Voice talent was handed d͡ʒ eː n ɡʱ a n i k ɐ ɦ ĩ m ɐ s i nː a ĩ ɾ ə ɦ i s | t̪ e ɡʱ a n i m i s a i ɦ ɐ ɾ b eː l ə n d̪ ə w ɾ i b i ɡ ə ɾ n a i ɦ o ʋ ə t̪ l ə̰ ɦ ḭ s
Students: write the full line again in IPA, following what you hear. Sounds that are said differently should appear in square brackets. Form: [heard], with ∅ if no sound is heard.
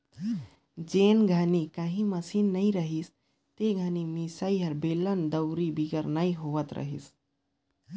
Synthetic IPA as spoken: d͡ʒ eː n ɡʱ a n i k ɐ ɦ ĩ m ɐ s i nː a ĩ ɾ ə ɦ i s | t̪ e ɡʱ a n i m i s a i ɦ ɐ ɾ b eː l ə n d̪ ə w ɾ i b i ɡ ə ɾ n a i ɦ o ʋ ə t̪ [ɾ] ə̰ ɦ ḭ s